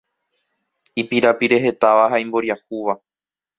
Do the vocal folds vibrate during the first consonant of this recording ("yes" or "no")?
no